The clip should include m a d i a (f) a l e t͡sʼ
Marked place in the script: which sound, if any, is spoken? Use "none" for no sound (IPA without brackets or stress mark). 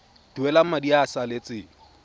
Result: s